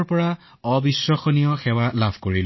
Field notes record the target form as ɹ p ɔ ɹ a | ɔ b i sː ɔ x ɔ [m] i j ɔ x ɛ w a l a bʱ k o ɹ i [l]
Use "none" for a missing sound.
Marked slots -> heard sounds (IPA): n, l

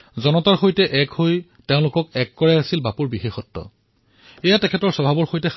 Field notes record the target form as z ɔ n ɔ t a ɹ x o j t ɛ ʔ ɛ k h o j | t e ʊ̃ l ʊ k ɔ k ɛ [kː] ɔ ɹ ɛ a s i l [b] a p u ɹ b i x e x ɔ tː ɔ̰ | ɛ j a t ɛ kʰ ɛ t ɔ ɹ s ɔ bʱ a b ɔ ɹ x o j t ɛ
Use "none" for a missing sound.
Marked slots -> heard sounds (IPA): kː, b

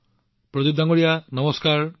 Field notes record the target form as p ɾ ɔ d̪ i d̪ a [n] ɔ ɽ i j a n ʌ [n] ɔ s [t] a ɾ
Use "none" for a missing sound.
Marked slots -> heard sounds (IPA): ŋ, m, k

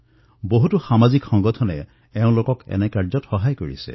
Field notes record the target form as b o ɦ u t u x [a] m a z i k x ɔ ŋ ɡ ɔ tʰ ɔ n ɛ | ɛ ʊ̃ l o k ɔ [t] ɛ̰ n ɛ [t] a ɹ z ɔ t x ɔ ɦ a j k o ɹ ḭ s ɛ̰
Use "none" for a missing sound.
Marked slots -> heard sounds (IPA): a, k, k

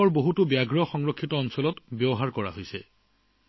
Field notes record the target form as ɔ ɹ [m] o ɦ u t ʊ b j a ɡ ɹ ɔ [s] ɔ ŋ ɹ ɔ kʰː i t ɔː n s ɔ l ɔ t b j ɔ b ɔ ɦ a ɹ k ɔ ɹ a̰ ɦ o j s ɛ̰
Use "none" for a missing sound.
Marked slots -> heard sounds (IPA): b, x

